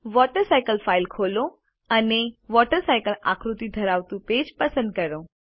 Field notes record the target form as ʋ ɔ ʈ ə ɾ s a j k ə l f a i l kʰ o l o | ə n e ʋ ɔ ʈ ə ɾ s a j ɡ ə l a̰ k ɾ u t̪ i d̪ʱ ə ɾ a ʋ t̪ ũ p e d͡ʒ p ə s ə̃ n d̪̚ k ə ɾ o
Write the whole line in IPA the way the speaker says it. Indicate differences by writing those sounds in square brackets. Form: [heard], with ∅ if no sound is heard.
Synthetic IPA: ʋ ɔ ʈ ə ɾ s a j k ə l f a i l kʰ o l o | ə n e ʋ ɔ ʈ ə ɾ s a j [k] ə l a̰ k ɾ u t̪ i d̪ʱ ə ɾ a ʋ t̪ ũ p e d͡ʒ p ə s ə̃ n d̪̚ k ə ɾ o

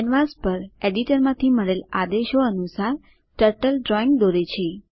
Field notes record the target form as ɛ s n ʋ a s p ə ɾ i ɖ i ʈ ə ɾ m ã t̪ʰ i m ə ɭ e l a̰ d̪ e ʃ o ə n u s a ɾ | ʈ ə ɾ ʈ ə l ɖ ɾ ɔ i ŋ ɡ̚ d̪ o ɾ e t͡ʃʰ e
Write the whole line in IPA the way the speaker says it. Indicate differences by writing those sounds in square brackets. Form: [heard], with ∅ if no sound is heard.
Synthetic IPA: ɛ [∅] n ʋ a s p ə ɾ [e] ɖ i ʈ ə ɾ m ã t̪ʰ i m ə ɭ e l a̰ d̪ e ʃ o ə n u s a ɾ | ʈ ə ɾ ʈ ə l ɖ ɾ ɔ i ŋ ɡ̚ d̪ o ɾ e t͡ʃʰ e

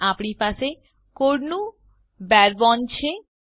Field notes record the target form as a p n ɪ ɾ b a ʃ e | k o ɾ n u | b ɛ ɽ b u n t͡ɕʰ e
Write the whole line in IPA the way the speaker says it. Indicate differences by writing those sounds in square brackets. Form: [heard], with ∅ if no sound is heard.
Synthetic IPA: a p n [i] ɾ [p] a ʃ e | k o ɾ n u | b ɛ [ɾ] b [ɔ] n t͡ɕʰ e

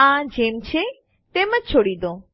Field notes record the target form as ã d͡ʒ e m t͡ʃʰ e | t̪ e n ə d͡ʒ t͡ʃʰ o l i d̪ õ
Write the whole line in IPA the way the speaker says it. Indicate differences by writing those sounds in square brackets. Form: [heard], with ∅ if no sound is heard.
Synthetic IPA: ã d͡ʒ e m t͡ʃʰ e | t̪ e [m] ə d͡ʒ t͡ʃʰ o [ɽ] i d̪ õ

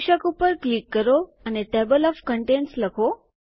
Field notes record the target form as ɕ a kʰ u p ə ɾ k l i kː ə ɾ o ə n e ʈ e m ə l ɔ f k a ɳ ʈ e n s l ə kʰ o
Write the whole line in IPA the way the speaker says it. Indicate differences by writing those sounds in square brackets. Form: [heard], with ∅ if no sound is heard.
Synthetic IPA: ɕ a [k] u p ə ɾ k l i kː ə ɾ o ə n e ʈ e [b] ə l ɔ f k [ə] ɳ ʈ e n s l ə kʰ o

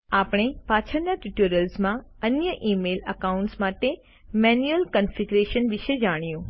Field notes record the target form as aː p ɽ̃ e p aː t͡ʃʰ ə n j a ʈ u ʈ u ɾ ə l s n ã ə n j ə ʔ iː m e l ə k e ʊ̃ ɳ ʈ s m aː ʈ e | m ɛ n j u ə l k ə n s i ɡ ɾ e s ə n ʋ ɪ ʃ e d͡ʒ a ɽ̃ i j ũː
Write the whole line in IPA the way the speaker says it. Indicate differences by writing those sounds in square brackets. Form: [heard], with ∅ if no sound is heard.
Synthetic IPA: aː p ɽ̃ e p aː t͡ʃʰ ə n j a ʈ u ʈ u ɾ ə l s [m] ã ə n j ə ʔ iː m e l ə k [a] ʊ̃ ɳ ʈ s m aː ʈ e | m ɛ n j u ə l k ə n [f] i ɡ ɾ e [ʃ] ə n ʋ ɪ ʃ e d͡ʒ a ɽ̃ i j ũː

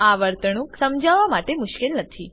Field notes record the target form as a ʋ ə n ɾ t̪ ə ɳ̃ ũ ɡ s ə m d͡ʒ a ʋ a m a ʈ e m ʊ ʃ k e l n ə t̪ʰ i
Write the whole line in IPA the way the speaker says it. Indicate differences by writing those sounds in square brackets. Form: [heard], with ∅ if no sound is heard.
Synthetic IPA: a ʋ ə [∅] ɾ t̪ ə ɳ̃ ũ [k] s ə m d͡ʒ a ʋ a m a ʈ e m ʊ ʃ k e l n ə t̪ʰ i

